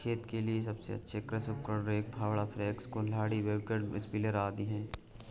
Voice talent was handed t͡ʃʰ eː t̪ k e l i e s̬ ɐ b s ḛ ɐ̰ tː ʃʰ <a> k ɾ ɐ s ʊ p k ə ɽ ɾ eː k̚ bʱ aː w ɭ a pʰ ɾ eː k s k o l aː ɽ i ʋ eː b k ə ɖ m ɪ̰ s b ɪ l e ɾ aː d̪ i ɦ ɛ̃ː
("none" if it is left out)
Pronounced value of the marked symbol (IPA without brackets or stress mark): e